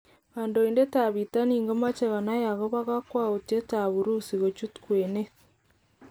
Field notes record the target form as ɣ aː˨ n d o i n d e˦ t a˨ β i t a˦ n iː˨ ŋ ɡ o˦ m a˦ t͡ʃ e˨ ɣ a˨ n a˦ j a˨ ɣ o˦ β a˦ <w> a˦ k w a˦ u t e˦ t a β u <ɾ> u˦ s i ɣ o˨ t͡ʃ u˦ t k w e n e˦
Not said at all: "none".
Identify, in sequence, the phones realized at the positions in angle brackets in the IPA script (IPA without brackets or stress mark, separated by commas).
ɣ, ɾ